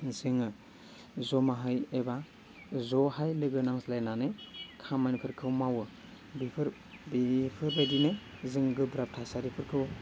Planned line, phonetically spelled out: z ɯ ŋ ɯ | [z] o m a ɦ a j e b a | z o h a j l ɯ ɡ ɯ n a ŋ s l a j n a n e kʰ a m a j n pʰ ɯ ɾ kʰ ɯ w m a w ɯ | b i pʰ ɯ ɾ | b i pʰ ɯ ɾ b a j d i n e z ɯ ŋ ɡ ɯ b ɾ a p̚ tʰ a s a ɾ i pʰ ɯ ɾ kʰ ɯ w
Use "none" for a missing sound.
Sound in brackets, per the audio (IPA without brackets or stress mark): z